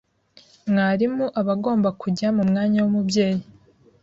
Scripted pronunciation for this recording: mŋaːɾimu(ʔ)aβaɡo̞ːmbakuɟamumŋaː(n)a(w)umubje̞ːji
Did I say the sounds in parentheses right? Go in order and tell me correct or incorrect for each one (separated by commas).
correct, incorrect, correct